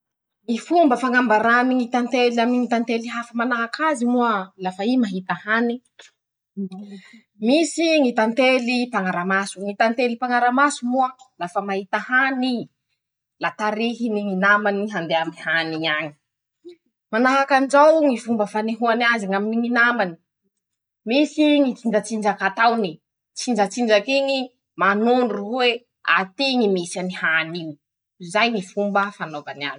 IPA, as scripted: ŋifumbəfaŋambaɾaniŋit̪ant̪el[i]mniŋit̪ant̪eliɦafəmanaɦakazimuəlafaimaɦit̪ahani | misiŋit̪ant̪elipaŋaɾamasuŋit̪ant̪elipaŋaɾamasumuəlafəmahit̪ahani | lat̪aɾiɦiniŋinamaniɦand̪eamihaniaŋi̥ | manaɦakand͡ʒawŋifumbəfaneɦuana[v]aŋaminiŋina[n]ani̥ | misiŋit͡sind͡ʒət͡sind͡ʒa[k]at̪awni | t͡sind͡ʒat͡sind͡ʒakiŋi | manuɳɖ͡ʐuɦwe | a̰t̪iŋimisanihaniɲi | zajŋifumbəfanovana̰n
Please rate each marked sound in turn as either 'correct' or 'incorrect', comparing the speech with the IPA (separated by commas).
incorrect, incorrect, incorrect, correct